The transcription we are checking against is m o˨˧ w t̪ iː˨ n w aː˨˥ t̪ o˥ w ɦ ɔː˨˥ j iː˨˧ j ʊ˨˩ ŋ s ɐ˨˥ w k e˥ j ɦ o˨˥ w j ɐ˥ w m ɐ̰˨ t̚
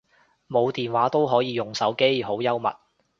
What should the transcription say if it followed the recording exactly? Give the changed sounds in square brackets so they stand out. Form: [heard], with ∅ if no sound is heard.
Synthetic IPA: m o˨˧ w t̪ iː˨ n w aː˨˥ t̪ o˥ w ɦ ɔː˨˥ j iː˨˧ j ʊ˨˩ ŋ s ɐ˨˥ w k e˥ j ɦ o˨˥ w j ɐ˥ w m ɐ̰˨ t̚